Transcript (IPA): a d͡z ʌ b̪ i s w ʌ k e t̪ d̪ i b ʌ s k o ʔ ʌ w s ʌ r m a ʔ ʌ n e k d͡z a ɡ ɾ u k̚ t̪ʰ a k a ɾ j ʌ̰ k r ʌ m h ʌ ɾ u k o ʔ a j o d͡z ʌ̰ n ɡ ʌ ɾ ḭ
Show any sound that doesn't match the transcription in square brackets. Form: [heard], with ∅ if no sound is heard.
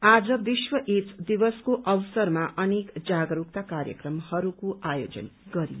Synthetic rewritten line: a d͡z ʌ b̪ i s w ʌ [ʔ] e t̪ d̪ i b ʌ s k o ʔ ʌ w s ʌ r m a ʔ ʌ n e k d͡z a ɡ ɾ u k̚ [t̪] a k a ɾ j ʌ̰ k r ʌ m h ʌ ɾ u k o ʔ a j o d͡z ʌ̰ n ɡ ʌ ɾ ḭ